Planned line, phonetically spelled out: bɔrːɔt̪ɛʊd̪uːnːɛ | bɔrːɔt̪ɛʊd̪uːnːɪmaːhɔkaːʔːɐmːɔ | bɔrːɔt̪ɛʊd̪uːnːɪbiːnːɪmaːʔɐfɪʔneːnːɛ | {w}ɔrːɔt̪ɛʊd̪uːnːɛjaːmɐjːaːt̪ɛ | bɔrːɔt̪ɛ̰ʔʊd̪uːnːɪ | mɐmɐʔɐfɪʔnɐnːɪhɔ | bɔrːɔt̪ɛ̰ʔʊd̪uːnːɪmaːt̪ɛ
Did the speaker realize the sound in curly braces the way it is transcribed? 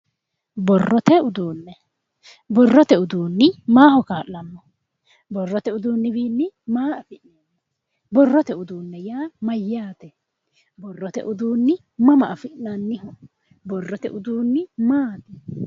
no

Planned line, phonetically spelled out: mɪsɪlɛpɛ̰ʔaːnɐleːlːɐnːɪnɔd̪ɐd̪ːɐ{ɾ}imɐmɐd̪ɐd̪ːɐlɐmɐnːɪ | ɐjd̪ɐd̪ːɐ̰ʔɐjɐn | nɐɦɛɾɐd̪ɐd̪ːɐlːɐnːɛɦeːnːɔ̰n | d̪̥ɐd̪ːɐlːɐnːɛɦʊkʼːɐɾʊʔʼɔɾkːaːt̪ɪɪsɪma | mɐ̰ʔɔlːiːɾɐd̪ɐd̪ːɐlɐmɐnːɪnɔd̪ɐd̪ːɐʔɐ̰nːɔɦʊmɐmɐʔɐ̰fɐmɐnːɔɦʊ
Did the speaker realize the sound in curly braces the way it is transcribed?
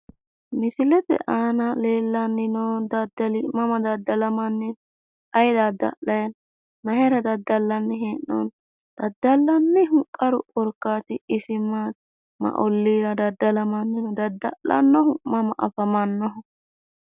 no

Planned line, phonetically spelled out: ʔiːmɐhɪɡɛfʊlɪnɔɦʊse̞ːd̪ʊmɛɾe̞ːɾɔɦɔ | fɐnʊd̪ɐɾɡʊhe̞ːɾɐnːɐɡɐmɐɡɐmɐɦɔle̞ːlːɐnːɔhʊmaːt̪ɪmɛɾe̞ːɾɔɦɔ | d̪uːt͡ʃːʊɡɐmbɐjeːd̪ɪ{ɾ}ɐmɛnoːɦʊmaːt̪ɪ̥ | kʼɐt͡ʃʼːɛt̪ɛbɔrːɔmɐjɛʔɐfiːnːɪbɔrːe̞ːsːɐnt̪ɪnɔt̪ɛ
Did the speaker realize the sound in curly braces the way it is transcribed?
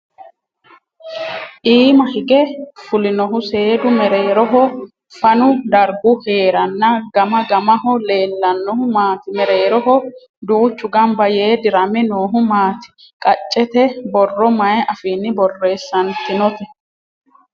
yes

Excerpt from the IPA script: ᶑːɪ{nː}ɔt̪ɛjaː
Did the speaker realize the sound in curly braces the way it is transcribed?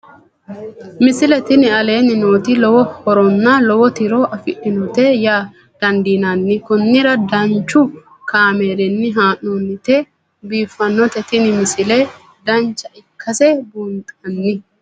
no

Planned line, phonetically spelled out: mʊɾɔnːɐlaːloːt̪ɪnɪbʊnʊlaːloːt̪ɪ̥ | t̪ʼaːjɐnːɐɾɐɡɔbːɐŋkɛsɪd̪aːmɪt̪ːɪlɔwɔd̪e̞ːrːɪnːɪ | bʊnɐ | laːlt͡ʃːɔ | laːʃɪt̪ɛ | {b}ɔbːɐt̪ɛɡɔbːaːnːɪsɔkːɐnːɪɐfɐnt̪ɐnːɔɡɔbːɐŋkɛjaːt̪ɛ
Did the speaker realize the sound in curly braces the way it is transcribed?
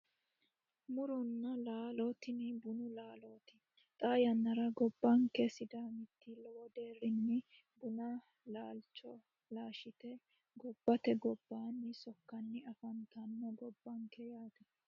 no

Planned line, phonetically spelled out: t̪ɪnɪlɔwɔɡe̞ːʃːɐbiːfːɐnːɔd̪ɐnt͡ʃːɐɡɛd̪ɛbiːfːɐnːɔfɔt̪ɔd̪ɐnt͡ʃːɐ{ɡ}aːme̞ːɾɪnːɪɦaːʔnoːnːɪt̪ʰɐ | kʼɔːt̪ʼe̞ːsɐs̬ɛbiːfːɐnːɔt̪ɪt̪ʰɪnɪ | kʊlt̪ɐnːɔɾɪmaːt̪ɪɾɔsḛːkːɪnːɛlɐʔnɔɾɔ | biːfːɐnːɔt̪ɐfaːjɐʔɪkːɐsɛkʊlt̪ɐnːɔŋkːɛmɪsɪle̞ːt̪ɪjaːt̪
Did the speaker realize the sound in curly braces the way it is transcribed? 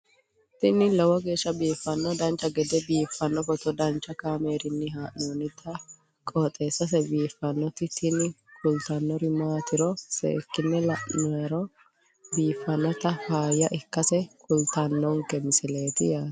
no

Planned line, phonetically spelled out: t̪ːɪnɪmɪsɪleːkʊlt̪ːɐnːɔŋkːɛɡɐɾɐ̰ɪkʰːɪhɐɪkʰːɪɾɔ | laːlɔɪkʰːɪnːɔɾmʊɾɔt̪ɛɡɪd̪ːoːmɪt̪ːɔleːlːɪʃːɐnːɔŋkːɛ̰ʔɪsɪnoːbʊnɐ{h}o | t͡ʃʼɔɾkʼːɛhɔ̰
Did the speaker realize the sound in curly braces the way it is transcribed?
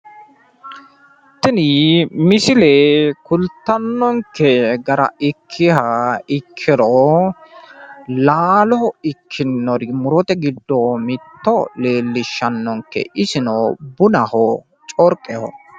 yes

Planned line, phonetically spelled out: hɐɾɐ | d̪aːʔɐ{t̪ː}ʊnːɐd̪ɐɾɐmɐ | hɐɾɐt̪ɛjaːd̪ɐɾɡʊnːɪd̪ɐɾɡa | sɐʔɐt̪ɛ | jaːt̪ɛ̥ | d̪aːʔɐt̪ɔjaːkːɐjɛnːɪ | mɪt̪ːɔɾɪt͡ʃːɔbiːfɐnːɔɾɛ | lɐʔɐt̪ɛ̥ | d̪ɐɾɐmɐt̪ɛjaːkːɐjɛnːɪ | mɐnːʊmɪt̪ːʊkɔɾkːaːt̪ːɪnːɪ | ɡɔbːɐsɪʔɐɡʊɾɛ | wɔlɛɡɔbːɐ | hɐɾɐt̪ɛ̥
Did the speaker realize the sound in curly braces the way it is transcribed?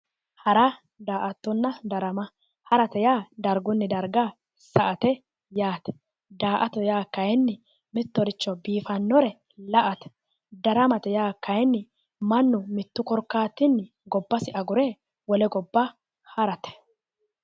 yes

